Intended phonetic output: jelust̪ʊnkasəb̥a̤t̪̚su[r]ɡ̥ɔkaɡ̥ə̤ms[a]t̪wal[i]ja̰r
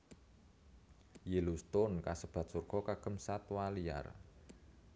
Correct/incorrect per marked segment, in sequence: correct, correct, correct

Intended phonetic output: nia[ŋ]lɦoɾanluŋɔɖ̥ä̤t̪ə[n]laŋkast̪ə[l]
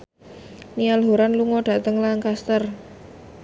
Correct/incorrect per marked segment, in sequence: incorrect: none, incorrect: ŋ, incorrect: r

